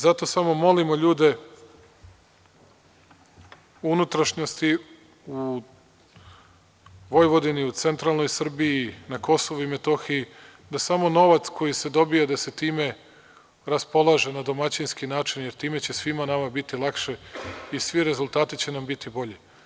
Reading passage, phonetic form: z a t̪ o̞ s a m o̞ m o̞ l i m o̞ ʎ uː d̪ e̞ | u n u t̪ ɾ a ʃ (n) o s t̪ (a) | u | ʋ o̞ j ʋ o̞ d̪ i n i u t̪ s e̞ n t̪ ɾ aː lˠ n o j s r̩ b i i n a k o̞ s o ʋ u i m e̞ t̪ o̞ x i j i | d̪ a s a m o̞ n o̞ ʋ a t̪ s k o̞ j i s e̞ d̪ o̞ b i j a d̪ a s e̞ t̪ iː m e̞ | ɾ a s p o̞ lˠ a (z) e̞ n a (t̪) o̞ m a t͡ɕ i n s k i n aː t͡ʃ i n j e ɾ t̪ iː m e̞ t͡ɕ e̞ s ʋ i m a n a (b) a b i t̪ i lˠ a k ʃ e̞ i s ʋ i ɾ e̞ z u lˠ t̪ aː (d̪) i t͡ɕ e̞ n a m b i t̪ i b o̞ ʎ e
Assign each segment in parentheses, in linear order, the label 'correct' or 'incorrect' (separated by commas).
incorrect, incorrect, incorrect, incorrect, incorrect, incorrect